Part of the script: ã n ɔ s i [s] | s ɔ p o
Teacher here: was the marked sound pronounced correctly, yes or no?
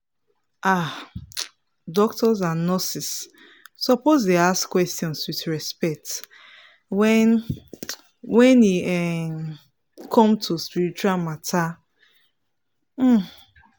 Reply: yes